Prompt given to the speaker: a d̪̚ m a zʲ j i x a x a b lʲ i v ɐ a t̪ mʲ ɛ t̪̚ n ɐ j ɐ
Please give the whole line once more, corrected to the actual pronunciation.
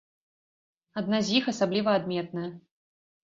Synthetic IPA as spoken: a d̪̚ n a zʲ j i x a s a b lʲ i v ɐ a d̪ mʲ ɛ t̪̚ n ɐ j ɐ